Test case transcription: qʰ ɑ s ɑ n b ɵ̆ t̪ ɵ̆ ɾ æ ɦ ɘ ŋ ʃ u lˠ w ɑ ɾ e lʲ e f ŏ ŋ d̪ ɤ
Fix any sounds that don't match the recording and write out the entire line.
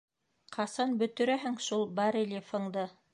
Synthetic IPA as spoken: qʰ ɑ s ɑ n b ɵ̆ t̪ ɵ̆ ɾ æ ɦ ɘ ŋ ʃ u lˠ b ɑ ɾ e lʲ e f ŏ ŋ d̪ ɤ